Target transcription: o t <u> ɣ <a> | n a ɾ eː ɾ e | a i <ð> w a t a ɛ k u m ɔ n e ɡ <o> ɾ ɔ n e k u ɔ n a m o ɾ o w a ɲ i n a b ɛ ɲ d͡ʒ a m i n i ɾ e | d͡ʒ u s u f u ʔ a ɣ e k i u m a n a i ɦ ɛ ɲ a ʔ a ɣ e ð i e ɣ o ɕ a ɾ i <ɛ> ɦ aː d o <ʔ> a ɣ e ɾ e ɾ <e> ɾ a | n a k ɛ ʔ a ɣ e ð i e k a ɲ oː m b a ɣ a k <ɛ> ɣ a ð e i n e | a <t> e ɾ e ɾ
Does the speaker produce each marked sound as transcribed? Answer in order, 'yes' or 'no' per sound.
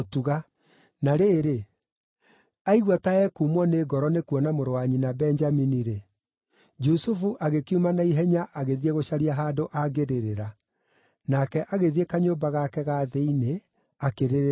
yes, yes, no, no, no, yes, yes, yes, no

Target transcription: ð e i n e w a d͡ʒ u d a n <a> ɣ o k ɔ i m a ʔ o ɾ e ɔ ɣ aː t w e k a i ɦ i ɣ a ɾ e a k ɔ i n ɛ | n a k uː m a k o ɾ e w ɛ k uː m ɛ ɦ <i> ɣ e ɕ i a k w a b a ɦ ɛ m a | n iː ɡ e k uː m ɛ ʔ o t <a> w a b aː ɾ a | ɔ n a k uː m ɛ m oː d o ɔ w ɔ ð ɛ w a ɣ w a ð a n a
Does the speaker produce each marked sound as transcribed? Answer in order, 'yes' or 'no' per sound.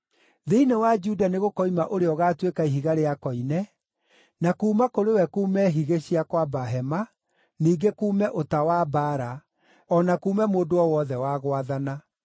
no, yes, yes

